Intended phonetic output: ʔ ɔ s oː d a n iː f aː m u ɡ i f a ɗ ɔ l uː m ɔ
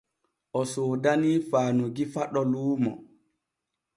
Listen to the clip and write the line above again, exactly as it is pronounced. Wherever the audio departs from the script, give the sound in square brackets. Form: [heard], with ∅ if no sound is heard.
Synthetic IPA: ʔ ɔ s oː d a n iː f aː [n] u ɡ i f a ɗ ɔ l uː m ɔ